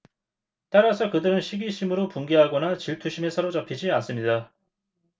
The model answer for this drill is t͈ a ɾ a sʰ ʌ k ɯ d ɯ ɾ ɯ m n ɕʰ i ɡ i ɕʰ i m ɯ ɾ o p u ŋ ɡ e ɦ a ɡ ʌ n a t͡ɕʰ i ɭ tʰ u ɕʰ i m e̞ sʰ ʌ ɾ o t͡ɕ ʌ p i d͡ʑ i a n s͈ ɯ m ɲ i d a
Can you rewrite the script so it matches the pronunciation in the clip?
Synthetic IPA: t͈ a ɾ a sʰ ʌ k ɯ d ɯ ɾ ɯ n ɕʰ i ɡ i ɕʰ i m ɯ ɾ o p u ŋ ɡ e ɦ a ɡ ʌ n a t͡ɕ i ɭ tʰ u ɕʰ i m e̞ sʰ ʌ ɾ o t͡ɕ ʌ pʰ i d͡ʑ i a n s͈ ɯ m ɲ i d a